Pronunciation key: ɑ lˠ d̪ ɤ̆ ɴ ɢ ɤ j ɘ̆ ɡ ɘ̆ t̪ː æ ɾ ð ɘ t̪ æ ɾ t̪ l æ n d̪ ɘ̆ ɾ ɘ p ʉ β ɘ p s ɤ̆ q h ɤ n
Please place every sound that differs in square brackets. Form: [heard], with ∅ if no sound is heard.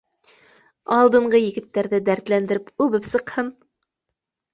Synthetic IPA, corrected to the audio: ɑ lˠ d̪ ɤ̆ ɴ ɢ ɤ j ɘ̆ ɡ ɘ̆ t̪ː æ ɾ ð ɘ [d̪] æ ɾ t̪ l æ n d̪ ɘ̆ ɾ ɘ p ʉ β ɘ p s ɤ̆ q h ɤ n